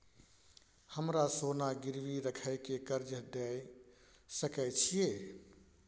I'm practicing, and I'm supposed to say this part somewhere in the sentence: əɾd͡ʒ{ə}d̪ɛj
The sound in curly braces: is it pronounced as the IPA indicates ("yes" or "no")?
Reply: yes